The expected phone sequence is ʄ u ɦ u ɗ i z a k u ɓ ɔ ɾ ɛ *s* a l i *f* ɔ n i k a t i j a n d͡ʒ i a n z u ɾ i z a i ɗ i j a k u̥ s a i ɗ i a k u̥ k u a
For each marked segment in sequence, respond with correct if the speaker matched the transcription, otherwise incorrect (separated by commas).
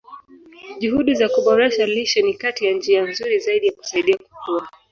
incorrect, incorrect